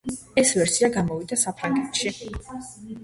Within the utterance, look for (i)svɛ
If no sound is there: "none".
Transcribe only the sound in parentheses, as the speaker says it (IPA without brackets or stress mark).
ɛ